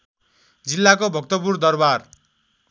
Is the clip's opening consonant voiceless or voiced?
voiced